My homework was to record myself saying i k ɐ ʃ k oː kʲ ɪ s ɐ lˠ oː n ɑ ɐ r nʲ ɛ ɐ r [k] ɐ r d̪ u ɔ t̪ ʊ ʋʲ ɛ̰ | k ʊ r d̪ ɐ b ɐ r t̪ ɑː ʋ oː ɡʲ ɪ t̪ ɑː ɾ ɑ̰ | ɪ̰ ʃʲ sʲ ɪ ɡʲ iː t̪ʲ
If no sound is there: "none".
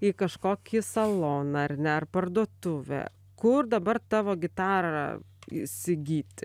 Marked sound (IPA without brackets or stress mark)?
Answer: p